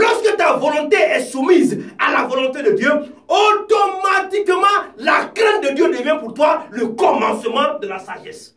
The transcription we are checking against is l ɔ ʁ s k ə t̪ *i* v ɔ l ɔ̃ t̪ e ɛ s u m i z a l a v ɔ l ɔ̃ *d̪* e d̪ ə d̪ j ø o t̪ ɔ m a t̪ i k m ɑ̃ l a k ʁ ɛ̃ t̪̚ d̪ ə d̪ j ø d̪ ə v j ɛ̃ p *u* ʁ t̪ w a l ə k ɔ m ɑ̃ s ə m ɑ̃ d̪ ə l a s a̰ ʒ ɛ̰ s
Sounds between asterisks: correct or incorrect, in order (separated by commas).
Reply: incorrect, incorrect, correct